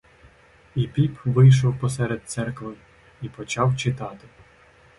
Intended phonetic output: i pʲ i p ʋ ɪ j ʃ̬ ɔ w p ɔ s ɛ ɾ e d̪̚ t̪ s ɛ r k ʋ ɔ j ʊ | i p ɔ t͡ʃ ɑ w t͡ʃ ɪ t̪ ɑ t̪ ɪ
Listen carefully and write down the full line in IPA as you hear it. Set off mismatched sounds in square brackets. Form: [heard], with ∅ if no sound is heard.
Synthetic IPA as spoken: i pʲ i p ʋ ɪ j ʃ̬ ɔ w p ɔ s ɛ ɾ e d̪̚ t̪ s ɛ r k ʋ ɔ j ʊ | i p ɔ t͡ʃ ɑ w t͡ʃ ɪ t̪ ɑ t̪ ɪ